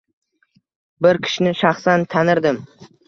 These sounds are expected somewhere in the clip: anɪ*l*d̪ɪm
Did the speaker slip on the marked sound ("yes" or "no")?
yes